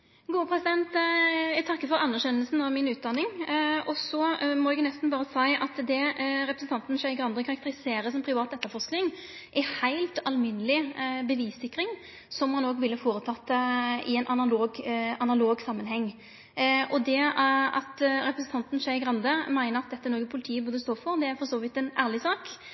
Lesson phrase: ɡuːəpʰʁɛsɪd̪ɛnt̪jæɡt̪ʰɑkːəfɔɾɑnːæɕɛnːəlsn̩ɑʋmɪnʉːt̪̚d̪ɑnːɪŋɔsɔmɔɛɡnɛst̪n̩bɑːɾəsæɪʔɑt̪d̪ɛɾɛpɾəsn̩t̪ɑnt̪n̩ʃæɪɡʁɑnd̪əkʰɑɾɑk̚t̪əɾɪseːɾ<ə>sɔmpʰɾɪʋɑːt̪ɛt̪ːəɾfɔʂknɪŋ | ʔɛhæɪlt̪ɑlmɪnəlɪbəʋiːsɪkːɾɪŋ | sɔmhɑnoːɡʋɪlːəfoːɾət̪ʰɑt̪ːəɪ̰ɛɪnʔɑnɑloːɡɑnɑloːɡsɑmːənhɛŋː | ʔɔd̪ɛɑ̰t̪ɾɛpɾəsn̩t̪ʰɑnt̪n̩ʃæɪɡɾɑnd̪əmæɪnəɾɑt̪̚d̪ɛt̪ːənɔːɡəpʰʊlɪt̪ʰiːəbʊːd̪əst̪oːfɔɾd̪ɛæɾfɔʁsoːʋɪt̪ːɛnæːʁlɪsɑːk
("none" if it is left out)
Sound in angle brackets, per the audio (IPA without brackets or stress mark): ə